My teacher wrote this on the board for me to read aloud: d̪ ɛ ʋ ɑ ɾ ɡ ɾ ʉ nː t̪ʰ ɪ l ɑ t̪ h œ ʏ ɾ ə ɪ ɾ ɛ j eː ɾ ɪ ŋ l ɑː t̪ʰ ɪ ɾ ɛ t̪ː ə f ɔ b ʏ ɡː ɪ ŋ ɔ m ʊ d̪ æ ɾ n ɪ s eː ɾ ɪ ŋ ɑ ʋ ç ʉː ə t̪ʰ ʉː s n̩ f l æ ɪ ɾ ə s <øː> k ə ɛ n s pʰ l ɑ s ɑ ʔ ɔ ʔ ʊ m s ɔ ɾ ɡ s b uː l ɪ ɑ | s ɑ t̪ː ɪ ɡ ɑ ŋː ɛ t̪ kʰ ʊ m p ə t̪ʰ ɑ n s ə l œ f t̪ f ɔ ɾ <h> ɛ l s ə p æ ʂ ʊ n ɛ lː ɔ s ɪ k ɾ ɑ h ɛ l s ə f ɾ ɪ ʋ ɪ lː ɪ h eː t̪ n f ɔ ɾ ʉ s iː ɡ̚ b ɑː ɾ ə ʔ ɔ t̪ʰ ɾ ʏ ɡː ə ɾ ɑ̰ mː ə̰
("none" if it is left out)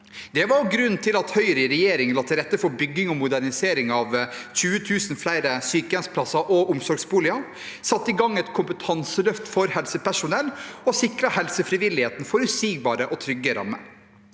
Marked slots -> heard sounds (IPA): yː, h

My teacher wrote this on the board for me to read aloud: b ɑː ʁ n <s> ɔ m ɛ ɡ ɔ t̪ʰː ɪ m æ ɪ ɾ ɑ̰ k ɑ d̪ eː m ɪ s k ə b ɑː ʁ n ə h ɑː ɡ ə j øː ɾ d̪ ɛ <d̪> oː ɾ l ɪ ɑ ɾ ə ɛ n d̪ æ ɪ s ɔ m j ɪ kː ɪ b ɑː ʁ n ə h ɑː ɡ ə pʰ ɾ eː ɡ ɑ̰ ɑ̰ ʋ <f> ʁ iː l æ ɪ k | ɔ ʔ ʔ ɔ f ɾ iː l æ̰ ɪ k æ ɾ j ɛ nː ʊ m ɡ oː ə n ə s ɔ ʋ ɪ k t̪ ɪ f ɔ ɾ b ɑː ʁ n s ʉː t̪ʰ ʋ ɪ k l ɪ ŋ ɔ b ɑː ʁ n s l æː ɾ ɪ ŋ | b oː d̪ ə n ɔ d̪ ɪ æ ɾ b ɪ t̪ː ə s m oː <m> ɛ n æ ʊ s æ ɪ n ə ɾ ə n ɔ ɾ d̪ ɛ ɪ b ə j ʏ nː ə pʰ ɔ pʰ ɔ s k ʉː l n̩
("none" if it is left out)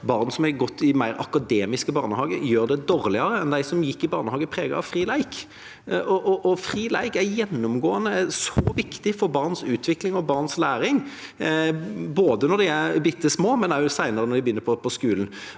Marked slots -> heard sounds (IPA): s, d̪, f, m

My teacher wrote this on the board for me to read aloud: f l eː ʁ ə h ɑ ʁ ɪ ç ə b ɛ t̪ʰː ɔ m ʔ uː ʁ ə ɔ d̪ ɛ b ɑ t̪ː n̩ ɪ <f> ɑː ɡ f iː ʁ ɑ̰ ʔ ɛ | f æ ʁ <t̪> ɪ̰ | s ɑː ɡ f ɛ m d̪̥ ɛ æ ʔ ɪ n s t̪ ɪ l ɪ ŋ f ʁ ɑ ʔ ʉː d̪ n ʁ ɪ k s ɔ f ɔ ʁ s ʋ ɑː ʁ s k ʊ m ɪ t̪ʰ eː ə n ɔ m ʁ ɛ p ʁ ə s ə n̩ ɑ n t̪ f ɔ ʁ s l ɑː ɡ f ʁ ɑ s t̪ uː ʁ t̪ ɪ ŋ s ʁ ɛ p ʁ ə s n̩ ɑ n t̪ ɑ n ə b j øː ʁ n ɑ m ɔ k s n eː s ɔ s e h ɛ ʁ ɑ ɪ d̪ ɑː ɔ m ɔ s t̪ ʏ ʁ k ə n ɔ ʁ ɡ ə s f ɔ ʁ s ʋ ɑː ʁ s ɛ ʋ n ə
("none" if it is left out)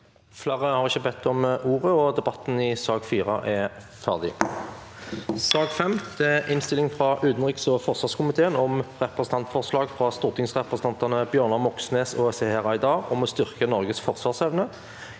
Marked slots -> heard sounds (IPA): s, d̪

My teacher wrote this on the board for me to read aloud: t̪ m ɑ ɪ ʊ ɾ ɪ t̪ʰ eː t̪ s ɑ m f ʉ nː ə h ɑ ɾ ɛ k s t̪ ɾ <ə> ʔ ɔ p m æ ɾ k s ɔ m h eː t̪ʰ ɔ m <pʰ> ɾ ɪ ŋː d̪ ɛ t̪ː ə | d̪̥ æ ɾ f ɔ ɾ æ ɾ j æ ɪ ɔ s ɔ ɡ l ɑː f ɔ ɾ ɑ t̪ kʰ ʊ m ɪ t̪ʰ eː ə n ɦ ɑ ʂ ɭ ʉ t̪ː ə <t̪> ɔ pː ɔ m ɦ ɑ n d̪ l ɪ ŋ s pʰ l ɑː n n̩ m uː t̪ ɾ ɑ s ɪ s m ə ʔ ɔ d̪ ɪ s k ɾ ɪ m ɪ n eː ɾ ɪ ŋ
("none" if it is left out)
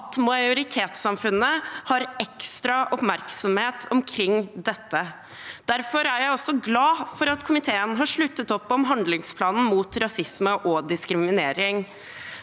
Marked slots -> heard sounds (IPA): ɑ, kʰ, t̪

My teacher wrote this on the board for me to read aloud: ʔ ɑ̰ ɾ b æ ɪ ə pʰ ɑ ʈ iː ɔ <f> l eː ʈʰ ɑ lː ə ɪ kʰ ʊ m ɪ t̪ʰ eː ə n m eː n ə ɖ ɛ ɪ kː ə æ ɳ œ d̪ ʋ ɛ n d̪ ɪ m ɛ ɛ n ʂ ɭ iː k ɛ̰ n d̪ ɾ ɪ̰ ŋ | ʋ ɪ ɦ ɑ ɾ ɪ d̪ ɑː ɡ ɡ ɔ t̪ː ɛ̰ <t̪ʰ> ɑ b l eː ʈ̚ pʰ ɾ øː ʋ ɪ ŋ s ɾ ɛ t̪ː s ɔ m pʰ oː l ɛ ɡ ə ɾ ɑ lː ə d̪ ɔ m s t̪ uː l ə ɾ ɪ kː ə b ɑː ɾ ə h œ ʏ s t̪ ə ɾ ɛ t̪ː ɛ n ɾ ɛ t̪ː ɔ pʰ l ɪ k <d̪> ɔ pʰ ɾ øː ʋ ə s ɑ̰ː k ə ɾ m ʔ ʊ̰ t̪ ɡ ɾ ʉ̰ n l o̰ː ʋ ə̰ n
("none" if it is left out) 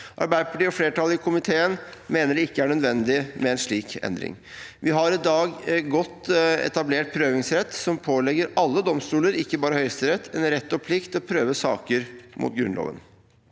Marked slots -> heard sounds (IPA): f, t̪, t̪

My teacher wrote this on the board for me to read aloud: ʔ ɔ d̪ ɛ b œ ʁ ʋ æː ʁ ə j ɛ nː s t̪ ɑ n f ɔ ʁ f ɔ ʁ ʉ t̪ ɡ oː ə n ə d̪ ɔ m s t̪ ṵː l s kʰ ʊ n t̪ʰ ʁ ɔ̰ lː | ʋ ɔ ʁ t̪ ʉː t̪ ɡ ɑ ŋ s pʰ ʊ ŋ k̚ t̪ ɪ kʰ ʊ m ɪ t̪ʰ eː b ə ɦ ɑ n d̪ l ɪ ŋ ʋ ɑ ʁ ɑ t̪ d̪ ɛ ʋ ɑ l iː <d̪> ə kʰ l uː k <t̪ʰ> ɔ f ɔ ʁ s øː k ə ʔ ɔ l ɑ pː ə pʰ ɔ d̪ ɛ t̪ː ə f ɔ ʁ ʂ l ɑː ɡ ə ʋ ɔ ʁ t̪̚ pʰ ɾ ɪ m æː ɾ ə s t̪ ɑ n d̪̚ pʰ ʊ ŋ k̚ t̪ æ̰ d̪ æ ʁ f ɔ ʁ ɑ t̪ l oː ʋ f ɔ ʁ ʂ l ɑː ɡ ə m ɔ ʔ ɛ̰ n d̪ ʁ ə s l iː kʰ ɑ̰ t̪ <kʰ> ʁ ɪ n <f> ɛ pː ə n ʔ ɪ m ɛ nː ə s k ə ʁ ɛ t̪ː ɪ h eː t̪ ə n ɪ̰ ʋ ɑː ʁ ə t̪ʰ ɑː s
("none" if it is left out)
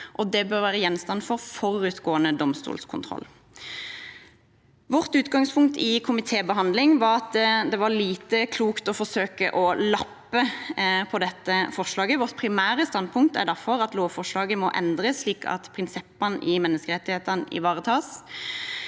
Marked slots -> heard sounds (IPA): t̪, t̪, pʰ, s

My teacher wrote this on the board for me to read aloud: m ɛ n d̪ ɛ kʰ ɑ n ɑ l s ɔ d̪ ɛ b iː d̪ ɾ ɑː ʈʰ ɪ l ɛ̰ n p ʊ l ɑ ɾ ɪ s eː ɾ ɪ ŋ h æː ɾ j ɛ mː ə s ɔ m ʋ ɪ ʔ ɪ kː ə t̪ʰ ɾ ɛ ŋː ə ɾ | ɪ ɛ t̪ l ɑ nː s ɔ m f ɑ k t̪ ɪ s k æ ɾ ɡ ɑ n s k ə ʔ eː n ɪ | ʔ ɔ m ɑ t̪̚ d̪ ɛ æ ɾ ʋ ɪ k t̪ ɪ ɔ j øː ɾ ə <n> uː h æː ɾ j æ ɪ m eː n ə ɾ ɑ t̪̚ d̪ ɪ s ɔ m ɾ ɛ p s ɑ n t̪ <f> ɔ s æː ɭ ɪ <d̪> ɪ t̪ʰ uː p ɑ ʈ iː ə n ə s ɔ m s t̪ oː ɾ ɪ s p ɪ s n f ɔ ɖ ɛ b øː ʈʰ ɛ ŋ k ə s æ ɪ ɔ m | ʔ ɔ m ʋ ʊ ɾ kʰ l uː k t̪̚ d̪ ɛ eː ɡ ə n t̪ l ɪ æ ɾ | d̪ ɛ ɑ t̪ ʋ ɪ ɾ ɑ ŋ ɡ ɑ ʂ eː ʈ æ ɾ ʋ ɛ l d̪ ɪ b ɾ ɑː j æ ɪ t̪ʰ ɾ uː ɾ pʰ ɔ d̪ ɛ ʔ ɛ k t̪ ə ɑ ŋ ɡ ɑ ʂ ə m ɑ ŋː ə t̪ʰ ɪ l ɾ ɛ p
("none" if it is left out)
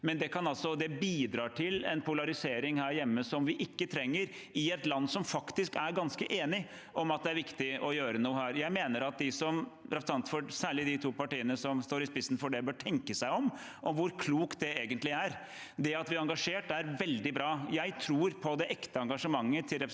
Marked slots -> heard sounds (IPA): n, f, d̪

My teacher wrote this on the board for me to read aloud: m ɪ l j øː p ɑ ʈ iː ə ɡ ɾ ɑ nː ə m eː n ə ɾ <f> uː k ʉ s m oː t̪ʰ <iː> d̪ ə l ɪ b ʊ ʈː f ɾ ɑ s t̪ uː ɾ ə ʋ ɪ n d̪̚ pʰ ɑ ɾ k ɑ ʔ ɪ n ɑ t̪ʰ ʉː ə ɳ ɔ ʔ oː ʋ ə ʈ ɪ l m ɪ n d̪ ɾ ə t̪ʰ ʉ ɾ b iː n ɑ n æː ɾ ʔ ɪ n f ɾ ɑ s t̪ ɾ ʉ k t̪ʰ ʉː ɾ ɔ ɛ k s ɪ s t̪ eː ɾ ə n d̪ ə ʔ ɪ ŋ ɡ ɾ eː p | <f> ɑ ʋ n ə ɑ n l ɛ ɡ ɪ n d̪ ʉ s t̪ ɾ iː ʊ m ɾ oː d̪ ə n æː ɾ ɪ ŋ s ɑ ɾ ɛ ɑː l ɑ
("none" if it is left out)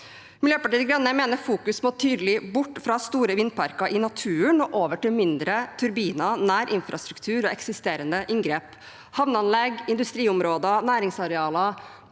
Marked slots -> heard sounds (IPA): f, yː, h

